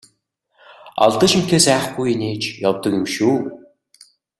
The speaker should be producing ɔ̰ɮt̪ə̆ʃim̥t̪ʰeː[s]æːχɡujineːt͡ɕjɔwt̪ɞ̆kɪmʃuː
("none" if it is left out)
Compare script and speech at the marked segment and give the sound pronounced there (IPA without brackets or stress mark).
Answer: s